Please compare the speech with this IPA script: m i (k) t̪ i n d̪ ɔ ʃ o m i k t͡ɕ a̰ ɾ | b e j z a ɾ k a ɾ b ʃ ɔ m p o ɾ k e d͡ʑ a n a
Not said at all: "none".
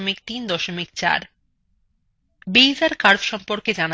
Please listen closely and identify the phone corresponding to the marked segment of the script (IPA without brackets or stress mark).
k